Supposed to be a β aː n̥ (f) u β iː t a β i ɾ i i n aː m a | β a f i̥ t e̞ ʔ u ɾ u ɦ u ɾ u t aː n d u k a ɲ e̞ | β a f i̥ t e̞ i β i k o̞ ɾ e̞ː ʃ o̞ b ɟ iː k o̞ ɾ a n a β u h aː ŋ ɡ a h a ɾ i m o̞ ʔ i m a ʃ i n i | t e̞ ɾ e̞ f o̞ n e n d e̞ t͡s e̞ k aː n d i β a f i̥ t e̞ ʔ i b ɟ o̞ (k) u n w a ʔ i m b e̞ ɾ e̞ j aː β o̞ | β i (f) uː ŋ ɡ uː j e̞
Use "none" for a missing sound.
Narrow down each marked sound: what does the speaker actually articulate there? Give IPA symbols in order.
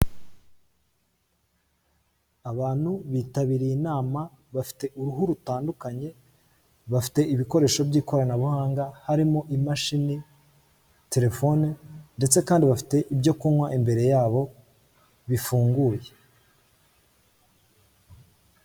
h, k, f

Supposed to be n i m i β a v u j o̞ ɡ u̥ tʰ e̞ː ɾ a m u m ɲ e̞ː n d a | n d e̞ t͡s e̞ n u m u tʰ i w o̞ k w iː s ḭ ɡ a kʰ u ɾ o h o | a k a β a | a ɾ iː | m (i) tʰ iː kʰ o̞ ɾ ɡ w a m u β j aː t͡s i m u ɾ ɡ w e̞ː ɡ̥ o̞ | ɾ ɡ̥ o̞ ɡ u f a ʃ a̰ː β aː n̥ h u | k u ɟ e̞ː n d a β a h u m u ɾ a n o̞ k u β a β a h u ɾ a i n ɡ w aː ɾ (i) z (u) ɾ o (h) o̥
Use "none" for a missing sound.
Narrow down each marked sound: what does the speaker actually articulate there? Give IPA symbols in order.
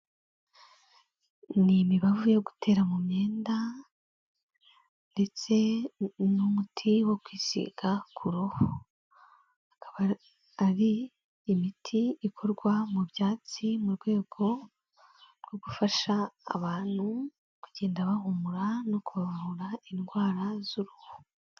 i, a, u, h

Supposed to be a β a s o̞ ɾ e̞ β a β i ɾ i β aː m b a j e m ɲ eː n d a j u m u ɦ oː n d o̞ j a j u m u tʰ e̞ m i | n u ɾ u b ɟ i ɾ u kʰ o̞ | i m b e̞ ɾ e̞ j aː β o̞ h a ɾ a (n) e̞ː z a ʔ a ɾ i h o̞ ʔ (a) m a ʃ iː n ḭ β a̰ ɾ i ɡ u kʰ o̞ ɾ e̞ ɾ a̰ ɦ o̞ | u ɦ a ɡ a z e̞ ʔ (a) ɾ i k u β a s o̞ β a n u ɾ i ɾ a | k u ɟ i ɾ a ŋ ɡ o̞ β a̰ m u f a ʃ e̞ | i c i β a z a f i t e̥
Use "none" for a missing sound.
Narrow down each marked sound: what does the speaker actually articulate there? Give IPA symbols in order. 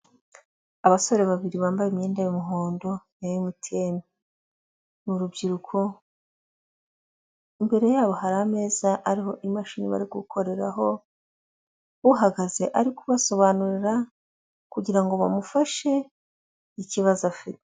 m, i, a

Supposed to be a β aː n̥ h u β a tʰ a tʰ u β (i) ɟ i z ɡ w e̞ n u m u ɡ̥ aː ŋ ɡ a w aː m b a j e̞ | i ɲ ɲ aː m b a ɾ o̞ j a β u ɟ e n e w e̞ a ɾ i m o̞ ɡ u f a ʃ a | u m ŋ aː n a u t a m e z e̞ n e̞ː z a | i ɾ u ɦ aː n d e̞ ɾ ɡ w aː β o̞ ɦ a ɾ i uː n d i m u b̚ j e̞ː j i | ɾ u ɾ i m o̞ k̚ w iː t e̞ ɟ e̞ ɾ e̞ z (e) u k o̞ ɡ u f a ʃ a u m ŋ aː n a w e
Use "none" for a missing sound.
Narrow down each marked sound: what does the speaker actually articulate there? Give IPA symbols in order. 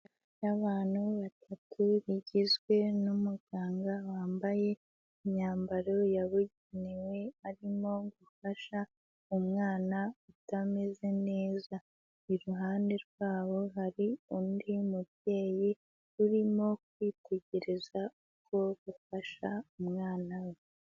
i, a

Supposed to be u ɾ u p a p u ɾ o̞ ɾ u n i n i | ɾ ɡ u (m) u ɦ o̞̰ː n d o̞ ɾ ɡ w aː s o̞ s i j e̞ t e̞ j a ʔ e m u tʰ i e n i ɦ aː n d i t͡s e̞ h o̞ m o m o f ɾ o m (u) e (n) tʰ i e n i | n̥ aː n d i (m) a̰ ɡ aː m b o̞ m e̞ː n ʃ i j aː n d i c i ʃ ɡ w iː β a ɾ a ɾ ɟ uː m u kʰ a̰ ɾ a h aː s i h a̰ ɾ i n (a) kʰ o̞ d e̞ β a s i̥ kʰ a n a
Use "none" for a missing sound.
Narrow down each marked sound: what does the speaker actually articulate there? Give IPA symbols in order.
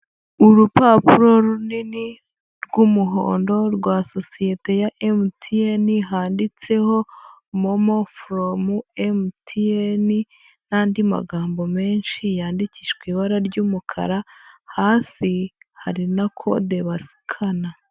m, u, m, m, a

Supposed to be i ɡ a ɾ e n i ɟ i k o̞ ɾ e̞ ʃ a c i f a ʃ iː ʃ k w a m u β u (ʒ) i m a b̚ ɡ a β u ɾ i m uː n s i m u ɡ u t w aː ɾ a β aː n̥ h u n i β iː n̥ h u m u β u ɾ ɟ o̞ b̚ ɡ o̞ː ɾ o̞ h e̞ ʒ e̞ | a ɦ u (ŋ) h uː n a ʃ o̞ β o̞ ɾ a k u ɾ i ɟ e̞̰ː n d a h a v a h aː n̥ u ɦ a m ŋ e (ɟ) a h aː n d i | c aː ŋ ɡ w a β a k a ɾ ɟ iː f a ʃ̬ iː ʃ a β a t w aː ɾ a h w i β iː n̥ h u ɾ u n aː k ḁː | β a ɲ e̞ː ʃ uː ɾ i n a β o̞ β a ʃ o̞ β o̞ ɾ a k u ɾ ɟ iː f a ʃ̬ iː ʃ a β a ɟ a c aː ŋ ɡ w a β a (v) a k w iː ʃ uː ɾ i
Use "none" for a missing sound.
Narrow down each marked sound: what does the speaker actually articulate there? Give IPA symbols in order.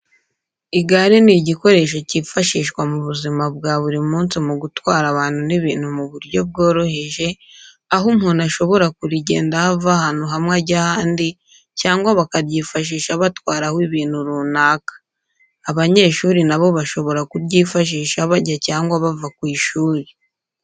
z, m, ɟ, v

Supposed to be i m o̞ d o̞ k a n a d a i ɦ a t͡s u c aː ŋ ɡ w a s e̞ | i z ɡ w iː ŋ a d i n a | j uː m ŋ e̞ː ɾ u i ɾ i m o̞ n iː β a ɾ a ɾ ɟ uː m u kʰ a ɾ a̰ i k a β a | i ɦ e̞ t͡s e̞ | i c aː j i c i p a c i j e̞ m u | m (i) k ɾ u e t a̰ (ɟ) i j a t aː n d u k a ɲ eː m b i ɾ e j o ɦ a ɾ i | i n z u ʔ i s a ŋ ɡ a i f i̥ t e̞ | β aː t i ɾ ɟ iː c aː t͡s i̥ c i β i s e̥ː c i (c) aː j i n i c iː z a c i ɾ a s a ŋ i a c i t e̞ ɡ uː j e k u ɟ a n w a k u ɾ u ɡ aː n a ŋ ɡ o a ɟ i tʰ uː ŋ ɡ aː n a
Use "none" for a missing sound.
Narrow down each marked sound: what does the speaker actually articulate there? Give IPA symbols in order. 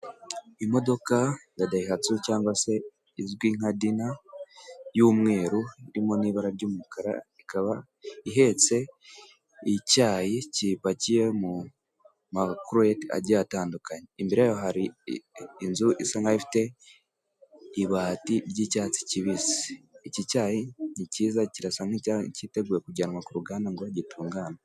a, ɟ, c

